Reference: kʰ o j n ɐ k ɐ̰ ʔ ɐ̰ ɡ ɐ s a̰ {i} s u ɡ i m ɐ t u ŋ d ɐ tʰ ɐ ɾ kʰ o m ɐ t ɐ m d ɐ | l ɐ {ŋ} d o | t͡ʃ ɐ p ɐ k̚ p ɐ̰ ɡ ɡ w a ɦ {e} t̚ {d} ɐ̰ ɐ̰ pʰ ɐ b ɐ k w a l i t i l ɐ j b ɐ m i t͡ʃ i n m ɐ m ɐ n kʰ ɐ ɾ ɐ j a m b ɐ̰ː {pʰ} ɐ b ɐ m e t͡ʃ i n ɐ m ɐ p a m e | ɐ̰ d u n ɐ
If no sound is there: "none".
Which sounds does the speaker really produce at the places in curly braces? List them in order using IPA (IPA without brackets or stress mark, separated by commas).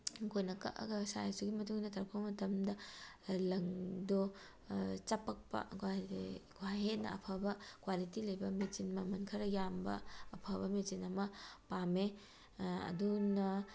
j, ŋ, e, n, pʰ